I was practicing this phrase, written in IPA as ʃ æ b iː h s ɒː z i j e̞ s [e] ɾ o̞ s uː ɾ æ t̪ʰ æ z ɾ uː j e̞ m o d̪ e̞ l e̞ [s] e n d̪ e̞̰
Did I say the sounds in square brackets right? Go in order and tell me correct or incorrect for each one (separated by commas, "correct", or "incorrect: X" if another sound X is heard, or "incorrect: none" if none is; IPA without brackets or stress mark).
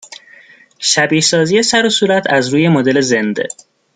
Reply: incorrect: æ, incorrect: z